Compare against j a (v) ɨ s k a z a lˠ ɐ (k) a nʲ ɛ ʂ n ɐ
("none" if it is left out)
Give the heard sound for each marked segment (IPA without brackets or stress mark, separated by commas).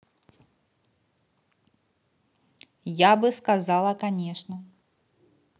b, k